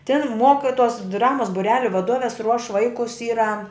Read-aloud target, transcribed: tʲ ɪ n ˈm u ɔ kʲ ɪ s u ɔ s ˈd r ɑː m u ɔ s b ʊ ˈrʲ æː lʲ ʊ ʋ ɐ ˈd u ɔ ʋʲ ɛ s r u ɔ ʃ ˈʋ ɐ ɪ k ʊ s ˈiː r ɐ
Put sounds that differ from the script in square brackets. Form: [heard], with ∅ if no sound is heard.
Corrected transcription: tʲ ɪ n ˈm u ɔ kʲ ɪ [t] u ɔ s ˈd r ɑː m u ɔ s b ʊ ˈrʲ æː lʲ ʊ ʋ ɐ ˈd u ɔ ʋʲ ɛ s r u ɔ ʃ ˈʋ ɐ ɪ k ʊ s ˈiː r ɐ